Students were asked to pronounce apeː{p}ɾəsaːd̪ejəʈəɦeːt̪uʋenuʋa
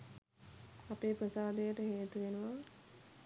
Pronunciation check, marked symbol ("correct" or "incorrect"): correct